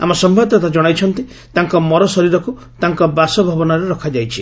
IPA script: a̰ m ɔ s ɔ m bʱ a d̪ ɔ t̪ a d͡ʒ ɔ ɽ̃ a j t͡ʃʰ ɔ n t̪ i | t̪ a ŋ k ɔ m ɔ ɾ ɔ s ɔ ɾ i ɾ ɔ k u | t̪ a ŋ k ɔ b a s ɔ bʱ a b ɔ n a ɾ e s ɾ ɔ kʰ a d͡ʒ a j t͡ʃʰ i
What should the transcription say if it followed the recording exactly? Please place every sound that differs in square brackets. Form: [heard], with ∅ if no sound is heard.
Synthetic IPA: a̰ m ɔ s ɔ m bʱ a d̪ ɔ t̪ a d͡ʒ ɔ ɽ̃ a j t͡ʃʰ ɔ n t̪ i | t̪ a ŋ k ɔ m ɔ ɾ ɔ s ɔ ɾ i ɾ ɔ k u | t̪ a ŋ k ɔ b a s ɔ bʱ a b ɔ n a ɾ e [∅] ɾ ɔ kʰ a d͡ʒ a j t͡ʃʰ i